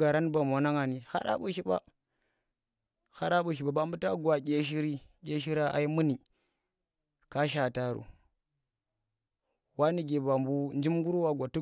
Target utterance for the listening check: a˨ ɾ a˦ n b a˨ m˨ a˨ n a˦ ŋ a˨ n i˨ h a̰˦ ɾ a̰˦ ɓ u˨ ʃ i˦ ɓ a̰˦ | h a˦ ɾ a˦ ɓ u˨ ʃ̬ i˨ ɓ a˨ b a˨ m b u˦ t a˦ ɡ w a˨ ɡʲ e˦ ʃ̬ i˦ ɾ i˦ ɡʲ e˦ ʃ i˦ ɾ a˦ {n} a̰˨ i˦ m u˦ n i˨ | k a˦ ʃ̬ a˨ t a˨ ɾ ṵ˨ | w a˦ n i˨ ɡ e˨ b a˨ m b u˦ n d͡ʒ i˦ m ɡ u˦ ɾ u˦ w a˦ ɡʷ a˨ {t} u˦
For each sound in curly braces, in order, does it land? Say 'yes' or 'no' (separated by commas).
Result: no, yes